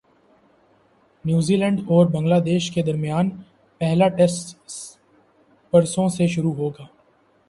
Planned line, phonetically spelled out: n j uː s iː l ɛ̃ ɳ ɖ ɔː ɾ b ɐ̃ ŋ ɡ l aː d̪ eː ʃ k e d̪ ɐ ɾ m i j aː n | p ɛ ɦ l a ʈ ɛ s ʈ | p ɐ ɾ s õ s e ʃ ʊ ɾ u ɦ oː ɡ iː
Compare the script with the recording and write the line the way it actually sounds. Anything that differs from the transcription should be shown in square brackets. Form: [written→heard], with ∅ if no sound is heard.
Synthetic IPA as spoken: n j uː [s→z] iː l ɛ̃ ɳ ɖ ɔː ɾ b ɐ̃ ŋ ɡ l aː d̪ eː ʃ k e d̪ ɐ ɾ m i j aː n | p ɛ ɦ l a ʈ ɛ s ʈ | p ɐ ɾ s õ s e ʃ ʊ ɾ u ɦ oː ɡ [iː→aː]

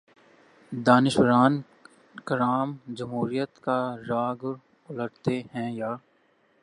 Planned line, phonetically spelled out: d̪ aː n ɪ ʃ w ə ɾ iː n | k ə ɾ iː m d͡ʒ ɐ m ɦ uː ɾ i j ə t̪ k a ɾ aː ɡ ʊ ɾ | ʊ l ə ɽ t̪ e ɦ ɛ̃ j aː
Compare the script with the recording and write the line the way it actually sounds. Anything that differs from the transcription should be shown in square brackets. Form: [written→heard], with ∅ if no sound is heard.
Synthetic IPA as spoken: d̪ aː n ɪ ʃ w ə ɾ [iː→aː] n | k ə ɾ [iː→aː] m d͡ʒ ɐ m ɦ uː ɾ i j ə t̪ k a ɾ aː ɡ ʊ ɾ | ʊ l ə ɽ t̪ e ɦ ɛ̃ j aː

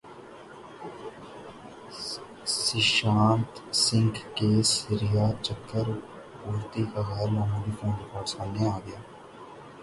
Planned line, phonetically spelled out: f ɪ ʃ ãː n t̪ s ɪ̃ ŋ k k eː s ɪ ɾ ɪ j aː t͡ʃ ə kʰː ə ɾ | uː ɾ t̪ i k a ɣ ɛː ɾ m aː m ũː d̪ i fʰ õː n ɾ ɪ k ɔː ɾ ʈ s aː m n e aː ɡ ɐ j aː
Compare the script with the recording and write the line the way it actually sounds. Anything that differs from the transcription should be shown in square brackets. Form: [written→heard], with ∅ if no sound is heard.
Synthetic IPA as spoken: [f→s] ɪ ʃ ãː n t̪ s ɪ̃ ŋ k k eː s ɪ ɾ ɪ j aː t͡ʃ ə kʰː ə ɾ | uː ɾ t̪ i k a ɣ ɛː ɾ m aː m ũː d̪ i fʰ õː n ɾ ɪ k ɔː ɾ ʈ s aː m n e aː ɡ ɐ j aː

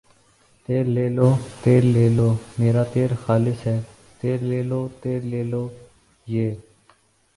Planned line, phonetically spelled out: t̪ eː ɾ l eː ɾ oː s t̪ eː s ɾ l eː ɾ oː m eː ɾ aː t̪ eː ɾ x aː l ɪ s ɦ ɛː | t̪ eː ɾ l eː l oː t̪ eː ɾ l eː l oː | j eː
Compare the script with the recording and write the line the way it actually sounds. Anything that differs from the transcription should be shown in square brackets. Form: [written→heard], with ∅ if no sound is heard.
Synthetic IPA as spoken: t̪ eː ɾ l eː [ɾ→l] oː [s→∅] t̪ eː [s→∅] ɾ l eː [ɾ→l] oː m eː ɾ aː t̪ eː ɾ x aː l ɪ s ɦ ɛː | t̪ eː ɾ l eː l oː t̪ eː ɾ l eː l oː | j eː

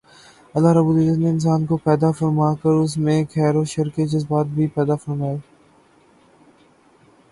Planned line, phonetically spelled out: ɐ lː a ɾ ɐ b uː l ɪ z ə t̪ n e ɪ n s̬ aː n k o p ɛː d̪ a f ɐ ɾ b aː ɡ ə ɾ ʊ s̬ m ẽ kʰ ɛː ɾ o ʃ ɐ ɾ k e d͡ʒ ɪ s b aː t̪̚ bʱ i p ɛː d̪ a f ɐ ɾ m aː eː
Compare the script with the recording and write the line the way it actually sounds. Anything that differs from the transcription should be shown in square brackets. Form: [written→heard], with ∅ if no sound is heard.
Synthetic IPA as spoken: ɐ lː a ɾ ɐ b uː l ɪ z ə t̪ n e ɪ n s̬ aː n k o p ɛː d̪ a f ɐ ɾ [b→m] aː [ɡ→k] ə ɾ ʊ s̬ m ẽ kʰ ɛː ɾ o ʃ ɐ ɾ k e d͡ʒ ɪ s b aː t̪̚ bʱ i p ɛː d̪ a f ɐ ɾ m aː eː

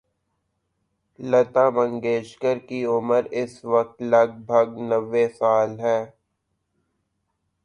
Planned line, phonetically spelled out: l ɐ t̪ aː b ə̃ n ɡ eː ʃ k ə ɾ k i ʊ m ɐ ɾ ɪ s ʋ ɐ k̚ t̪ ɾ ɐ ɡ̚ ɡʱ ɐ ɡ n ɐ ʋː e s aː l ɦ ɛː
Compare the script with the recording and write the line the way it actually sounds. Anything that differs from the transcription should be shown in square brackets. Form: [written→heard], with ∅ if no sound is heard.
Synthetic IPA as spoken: l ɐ t̪ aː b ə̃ [n→ŋ] ɡ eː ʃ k ə ɾ k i ʊ m [ɐ→ə] ɾ ɪ s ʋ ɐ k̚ t̪ [ɾ→l] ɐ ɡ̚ [ɡʱ→bʱ] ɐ ɡ n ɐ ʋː e s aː l ɦ ɛː

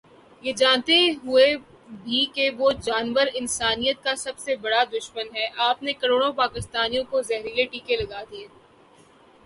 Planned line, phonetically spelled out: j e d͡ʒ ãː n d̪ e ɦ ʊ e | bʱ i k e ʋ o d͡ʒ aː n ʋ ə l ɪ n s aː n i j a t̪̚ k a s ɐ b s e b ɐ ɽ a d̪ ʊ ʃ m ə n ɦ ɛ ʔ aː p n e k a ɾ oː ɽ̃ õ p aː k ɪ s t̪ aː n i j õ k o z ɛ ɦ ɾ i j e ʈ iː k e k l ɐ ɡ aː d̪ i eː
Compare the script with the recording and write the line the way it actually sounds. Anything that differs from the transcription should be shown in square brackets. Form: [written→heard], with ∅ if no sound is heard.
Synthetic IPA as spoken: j e d͡ʒ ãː n [d̪→t̪] e ɦ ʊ e | bʱ i k e ʋ o d͡ʒ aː n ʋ ə [l→ɾ] ɪ n s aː n i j [a→ə] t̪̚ k a s ɐ b s e b ɐ ɽ a d̪ ʊ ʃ m ə n ɦ ɛ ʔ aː p n e k [a→ɐ] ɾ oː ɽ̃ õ p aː k ɪ s t̪ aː n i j õ k o z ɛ ɦ ɾ i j e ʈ iː k e [k→∅] l ɐ ɡ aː d̪ i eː

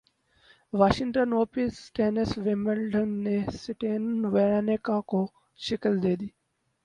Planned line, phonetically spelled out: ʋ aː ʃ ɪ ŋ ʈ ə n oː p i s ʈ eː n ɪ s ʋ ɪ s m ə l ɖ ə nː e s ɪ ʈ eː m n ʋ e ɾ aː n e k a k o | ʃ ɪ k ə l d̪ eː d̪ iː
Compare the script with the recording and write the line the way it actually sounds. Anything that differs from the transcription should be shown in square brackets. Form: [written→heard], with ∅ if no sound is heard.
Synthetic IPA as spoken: ʋ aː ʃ ɪ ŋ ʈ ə n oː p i s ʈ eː n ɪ s ʋ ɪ [s→∅] m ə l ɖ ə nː e s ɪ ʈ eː [m→n] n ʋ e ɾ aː n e k a k o | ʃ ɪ k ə l d̪ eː d̪ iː

